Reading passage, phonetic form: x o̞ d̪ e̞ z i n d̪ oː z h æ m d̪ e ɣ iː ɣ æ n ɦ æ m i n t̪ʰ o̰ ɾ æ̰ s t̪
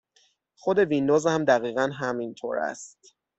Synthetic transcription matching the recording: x o̞ d̪ e̞ v i n d̪ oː z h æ m d̪ æ ɣ iː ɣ æ n ɦ æ m i n t̪ʰ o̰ ɾ æ̰ s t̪